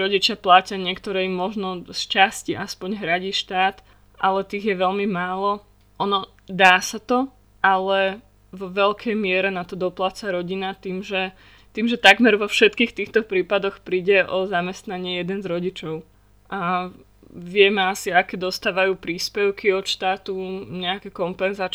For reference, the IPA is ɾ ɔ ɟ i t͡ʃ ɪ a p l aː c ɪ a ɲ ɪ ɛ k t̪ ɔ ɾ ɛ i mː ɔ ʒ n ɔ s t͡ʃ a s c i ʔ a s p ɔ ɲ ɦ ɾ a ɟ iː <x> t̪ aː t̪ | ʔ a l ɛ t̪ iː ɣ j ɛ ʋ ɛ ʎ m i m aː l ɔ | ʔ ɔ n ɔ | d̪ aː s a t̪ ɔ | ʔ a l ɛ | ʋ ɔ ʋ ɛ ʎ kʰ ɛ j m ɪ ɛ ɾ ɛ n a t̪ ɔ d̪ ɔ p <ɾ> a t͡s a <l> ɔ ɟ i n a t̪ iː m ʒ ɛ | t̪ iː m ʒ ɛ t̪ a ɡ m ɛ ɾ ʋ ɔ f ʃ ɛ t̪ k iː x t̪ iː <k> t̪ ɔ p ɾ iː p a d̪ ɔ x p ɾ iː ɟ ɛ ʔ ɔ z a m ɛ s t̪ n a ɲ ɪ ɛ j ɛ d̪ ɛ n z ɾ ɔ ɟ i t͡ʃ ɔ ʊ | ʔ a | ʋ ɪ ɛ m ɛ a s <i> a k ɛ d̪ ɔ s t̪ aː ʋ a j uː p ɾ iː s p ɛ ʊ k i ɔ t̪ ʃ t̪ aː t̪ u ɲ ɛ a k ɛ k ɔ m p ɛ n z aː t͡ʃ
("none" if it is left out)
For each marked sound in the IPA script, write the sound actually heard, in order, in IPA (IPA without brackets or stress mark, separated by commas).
ʃ, l, ɾ, x, i